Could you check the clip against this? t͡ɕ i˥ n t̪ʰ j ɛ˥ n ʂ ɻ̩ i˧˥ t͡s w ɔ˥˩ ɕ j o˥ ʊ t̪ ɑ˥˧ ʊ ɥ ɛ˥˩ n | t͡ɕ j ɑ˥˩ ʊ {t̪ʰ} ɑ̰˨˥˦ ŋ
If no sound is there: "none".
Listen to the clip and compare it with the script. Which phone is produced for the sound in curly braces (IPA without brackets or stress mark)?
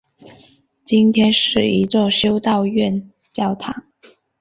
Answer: t̪ʰ